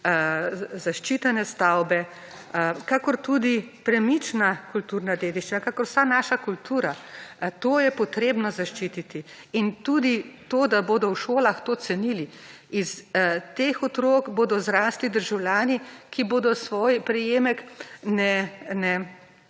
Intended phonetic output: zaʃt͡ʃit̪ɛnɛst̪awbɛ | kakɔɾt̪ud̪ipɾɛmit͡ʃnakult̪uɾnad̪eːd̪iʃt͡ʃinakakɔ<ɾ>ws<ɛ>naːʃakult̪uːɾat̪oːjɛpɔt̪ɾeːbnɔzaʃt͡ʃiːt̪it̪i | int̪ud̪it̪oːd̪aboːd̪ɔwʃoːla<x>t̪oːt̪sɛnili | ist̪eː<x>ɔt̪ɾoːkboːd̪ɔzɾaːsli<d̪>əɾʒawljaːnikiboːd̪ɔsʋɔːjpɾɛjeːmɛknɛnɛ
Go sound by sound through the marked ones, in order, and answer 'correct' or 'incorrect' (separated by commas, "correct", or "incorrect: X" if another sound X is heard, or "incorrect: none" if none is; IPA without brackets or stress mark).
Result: correct, incorrect: a, correct, correct, correct